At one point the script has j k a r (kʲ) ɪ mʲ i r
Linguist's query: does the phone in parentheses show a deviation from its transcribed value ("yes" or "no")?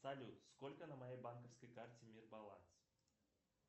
yes